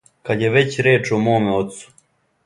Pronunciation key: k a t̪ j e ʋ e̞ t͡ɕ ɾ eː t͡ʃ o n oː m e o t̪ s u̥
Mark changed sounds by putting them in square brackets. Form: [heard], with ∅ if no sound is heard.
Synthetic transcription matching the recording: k a [d̪] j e ʋ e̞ t͡ɕ ɾ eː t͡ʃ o [m] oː m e o t̪ s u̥